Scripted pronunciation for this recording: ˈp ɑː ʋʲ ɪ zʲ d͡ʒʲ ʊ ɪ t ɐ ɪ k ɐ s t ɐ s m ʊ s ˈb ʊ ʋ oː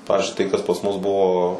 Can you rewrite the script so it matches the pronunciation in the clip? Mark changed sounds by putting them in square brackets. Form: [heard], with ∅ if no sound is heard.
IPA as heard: ˈp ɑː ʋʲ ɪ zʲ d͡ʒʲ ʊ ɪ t ɐ ɪ k ɐ s [p] ɐ s m ʊ s ˈb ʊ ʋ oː